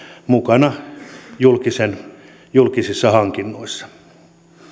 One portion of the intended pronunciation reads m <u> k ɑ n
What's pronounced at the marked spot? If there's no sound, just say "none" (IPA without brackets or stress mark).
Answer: u